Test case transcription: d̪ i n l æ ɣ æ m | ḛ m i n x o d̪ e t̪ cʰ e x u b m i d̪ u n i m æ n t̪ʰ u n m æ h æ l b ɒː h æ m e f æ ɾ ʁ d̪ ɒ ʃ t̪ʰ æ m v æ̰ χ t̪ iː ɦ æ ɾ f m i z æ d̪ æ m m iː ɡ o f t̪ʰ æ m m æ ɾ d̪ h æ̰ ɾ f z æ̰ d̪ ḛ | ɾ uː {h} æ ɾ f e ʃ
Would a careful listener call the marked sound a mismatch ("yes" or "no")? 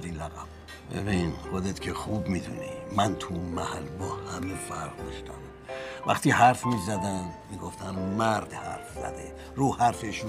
no